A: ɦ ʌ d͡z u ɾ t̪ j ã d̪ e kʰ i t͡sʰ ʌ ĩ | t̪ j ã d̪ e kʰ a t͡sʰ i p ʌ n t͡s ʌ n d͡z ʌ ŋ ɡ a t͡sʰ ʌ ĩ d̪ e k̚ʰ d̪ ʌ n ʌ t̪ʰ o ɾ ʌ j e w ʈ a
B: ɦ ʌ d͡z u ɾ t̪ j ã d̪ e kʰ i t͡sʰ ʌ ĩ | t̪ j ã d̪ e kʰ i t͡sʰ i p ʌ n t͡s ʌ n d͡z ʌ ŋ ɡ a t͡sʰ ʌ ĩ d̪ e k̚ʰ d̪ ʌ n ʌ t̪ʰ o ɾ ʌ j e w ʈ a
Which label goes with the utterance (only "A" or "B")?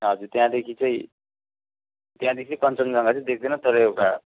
B